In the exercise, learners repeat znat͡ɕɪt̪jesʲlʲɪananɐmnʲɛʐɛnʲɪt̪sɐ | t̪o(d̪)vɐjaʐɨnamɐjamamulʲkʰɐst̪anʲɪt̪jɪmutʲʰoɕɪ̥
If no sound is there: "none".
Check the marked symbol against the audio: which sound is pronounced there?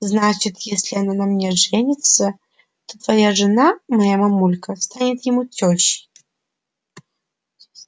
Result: t̪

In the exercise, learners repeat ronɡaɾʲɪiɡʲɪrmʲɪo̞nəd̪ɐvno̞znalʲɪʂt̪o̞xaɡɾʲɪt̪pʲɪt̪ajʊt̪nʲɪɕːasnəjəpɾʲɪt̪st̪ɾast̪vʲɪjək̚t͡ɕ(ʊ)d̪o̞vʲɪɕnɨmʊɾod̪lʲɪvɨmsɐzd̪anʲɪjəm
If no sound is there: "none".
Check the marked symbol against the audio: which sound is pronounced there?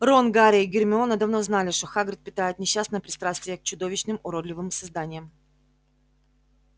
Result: ʊ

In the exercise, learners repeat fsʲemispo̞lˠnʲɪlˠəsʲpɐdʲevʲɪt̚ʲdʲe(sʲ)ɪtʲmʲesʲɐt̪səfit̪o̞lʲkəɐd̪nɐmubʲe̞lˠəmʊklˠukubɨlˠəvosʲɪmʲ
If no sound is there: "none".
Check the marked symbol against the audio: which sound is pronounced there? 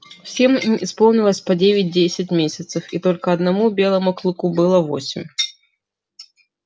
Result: sʲ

